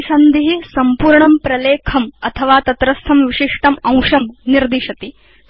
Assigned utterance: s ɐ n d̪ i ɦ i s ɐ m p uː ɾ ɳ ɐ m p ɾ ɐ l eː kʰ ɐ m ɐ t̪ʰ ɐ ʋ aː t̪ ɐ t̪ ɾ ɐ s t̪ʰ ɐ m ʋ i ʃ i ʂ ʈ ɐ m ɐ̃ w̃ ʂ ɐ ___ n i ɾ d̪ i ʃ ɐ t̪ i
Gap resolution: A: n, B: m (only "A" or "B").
B